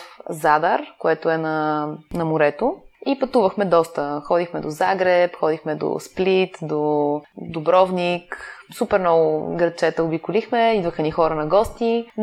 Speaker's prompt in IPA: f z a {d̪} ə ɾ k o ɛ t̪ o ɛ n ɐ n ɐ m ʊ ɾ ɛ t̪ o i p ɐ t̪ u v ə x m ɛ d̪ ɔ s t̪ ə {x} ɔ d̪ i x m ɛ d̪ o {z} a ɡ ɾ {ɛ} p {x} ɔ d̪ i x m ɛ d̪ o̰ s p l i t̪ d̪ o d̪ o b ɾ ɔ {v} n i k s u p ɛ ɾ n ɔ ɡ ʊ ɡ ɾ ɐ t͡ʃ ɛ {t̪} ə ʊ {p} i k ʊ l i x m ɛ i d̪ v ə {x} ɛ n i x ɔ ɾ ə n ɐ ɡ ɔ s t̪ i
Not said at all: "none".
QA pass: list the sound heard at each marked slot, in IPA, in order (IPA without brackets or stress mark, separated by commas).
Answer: d̪, x, z, ɛ, x, v, t̪, b, x